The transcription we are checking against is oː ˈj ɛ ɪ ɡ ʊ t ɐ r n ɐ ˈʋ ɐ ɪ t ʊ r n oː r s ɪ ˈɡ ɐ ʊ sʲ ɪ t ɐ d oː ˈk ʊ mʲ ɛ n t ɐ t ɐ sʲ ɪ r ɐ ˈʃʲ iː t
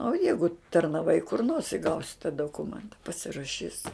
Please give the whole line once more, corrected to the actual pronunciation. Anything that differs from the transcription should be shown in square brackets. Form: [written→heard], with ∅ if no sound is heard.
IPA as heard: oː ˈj ɛ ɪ ɡ ʊ t ɐ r n ɐ ˈʋ ɐ ɪ [t→k] ʊ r n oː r s ɪ ˈɡ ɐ ʊ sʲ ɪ t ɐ d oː ˈk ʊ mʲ ɛ n t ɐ [t→p] ɐ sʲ ɪ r ɐ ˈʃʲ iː [t→s]